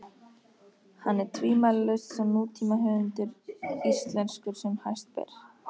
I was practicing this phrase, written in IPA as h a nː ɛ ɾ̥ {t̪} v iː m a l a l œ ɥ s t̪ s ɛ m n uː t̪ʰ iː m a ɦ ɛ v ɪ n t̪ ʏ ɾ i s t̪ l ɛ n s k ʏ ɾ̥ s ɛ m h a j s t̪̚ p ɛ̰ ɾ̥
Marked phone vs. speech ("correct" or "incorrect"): incorrect